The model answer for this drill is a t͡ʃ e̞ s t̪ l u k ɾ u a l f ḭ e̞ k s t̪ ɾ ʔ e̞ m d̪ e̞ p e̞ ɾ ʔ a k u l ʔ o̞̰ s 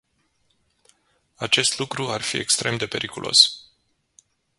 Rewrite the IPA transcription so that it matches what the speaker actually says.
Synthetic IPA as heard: a t͡ʃ e̞ s t̪ l u k ɾ u a r f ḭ e̞ k s t̪ ɾ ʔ e̞ m d̪ e̞ p e̞ ɾ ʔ i k u l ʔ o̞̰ s